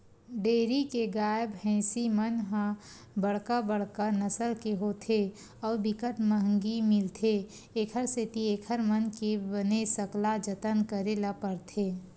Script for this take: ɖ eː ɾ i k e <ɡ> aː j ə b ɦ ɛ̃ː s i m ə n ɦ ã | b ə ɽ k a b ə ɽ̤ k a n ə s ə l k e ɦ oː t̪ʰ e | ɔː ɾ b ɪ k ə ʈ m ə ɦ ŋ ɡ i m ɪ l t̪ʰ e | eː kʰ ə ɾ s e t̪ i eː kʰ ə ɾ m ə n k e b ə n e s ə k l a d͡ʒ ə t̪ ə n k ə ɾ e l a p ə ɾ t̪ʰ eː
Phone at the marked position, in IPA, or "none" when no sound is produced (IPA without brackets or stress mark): ɡ